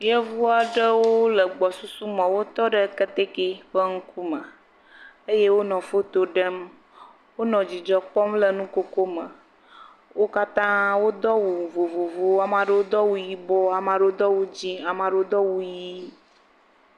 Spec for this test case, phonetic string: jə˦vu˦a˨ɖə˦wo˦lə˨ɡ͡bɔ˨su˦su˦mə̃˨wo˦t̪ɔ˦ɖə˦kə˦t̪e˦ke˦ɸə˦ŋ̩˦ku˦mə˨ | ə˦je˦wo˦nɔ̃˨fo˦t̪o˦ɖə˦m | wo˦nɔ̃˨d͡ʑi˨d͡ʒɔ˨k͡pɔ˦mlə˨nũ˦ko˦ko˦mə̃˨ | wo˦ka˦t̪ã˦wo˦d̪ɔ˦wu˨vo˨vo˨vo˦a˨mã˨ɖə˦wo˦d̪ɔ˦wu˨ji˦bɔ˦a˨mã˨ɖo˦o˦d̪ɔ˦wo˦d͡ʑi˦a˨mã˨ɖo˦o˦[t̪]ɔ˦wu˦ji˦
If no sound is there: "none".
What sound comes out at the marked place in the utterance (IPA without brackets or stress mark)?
d̪